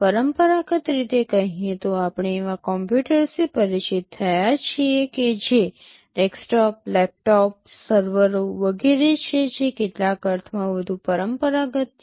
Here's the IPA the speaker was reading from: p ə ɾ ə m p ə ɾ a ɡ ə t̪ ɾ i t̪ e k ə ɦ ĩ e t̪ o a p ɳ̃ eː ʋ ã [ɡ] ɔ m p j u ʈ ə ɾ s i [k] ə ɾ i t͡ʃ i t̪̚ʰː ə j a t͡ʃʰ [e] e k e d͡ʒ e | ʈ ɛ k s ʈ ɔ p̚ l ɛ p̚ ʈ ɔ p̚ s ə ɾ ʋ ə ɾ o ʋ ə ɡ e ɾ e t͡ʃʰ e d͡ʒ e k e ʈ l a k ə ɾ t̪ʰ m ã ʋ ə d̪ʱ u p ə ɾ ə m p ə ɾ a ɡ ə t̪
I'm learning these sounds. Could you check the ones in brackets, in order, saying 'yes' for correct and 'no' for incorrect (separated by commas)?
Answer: no, no, no